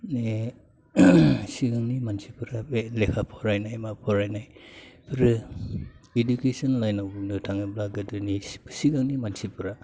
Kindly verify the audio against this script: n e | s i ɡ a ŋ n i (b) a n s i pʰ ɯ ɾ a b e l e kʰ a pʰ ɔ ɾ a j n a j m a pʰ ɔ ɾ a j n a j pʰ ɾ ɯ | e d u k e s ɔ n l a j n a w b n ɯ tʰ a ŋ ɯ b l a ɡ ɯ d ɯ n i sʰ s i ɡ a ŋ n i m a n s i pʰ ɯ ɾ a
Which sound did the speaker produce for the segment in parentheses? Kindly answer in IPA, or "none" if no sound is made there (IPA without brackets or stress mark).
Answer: m